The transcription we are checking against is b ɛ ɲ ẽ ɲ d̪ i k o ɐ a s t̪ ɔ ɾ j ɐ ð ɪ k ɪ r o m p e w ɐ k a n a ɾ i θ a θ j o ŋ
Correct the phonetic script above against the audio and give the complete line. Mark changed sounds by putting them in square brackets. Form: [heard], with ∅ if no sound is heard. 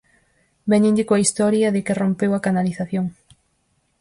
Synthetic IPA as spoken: b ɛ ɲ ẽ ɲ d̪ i k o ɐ [i] s t̪ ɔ ɾ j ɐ ð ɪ k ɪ r o m p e w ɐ k a n a [l] i θ a θ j o ŋ

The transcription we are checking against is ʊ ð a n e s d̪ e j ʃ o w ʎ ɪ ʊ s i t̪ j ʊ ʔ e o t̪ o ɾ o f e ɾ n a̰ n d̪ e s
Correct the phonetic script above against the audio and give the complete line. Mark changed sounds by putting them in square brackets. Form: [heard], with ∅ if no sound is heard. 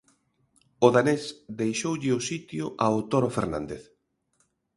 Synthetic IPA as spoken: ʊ ð a n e s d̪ e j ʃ o w ʎ ɪ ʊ s i t̪ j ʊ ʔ [a] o t̪ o ɾ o f e ɾ n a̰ n d̪ e [θ]

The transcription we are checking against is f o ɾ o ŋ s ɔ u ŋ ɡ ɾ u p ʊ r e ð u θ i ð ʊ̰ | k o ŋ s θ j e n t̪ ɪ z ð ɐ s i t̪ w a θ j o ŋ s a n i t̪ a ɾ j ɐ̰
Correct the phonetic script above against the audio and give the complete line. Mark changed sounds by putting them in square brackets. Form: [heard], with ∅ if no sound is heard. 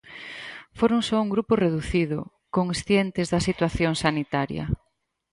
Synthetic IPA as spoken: f o ɾ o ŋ s ɔ u ŋ ɡ ɾ u p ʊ r e ð u θ i ð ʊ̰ | k o ŋ s θ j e n t̪ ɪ z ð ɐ s i t̪ w a θ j o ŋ s a n i t̪ a ɾ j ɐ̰

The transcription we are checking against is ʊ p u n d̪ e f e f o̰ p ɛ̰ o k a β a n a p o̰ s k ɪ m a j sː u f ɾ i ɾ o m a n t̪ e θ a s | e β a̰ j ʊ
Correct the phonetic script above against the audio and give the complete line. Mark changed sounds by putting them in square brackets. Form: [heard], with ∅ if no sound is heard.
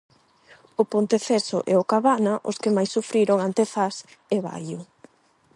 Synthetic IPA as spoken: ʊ p [o] n [t̪] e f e [s] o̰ [ʔ] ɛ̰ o k a β a n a [ʔ] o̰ s k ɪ m a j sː u f ɾ i ɾ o [ŋ] a n t̪ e θ a s | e β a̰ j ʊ

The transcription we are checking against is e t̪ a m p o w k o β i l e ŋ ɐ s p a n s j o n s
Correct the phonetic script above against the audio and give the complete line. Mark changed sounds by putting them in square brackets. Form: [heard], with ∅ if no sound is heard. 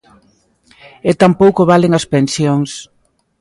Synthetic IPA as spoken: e t̪ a m p o w k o β [a] l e ŋ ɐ s p [e] n s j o [ŋ] s

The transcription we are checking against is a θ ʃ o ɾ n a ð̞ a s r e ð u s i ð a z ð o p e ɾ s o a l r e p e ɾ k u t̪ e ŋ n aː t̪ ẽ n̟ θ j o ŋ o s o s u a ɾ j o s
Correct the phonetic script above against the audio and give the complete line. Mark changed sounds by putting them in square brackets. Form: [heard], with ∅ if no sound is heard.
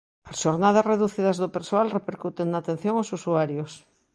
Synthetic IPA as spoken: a [s] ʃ o ɾ n a ð̞ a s r e ð u [θ] i ð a z ð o p e ɾ s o a l r e p e ɾ k u t̪ e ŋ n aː t̪ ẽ n̟ θ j o ŋ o s [u] s u a ɾ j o s

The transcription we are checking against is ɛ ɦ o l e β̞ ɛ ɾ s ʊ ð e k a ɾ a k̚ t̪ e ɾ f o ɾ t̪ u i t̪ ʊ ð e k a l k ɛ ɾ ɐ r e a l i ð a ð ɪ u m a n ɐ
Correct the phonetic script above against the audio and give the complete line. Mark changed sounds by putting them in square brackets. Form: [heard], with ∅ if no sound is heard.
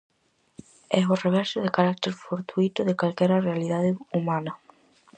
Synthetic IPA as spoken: ɛ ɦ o [r] e β̞ ɛ ɾ s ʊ ð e k a ɾ a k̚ t̪ e ɾ f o ɾ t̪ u i t̪ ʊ ð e k a l k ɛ ɾ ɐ r e a l i ð a ð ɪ u m a n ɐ

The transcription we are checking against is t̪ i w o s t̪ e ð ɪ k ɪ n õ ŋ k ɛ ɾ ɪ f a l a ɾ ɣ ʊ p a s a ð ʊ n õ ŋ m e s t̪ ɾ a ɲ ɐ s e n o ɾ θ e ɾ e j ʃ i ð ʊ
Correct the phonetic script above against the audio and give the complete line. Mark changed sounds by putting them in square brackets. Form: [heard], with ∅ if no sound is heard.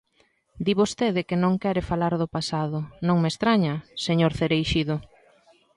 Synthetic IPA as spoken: [d̪] i [β] o s t̪ e ð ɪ k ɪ n õ ŋ k ɛ ɾ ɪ f a l a ɾ [ð] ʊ p a s a ð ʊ n õ ŋ m e s t̪ ɾ a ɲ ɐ s e [ɲ] o ɾ θ e ɾ e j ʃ i ð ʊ

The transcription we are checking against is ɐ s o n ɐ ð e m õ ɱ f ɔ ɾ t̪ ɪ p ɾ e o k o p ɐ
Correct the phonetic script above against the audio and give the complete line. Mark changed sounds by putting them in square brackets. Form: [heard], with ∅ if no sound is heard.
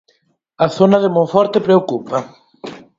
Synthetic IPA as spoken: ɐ [θ] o n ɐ ð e m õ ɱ f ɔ ɾ t̪ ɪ p ɾ e o k [u] p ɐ

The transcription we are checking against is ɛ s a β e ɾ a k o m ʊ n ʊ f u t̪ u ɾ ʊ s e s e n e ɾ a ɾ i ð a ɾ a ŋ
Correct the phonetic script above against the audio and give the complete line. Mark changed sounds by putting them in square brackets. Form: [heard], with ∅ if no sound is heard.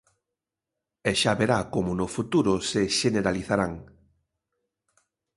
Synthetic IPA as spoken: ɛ [ʃ] a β e ɾ a k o m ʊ n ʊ f u t̪ u ɾ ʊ s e [ʃ] e n e ɾ a [l] i [θ] a ɾ a ŋ

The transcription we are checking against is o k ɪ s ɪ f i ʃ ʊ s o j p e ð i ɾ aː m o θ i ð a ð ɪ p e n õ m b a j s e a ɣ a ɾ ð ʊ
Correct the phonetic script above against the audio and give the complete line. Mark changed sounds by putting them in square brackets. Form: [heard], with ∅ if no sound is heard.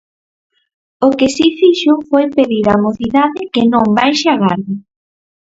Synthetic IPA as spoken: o k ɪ s [i] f i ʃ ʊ [f] o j p e ð i ɾ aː m o θ i ð a ð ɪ [k] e n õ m b a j [ʃ] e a ɣ a ɾ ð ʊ

